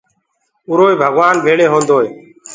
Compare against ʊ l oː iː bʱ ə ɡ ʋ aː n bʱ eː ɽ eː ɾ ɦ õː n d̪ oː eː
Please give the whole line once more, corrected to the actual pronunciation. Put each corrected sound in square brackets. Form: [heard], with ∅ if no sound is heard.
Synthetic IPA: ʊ [ɾ] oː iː bʱ ə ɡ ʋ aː n bʱ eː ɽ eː [∅] ɦ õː n d̪ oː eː